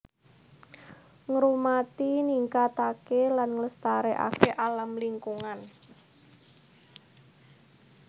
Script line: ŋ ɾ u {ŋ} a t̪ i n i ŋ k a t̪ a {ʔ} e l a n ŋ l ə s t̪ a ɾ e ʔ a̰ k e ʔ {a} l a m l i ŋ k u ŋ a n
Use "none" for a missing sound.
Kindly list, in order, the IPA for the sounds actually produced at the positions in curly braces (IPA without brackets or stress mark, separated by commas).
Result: m, k, a